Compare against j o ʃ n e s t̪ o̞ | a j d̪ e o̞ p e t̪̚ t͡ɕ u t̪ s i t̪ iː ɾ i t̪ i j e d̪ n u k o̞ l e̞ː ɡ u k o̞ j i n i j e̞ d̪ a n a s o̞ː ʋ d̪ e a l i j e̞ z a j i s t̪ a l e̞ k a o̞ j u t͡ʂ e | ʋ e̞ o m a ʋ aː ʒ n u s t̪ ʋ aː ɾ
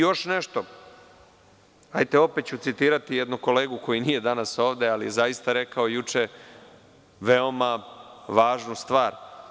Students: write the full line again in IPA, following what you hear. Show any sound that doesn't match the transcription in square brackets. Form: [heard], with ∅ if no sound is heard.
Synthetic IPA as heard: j o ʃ n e [ʃ] t̪ o̞ | a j [t̪] e o̞ p e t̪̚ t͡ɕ u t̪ s i t̪ iː ɾ [a] t̪ i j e d̪ n u k o̞ l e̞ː ɡ u k o̞ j i n i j e̞ d̪ a n a s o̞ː ʋ d̪ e a l i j e̞ z a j i s t̪ a [ɾ] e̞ k a o̞ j u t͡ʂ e | ʋ e̞ o m a ʋ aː ʒ n u s t̪ ʋ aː ɾ